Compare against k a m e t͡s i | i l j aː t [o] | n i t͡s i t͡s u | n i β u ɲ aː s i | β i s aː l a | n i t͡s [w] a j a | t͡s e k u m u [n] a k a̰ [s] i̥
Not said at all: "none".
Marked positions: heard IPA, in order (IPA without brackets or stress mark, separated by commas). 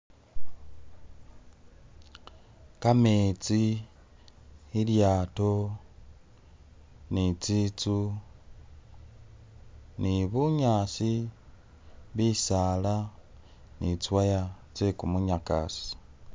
o, w, ɲ, s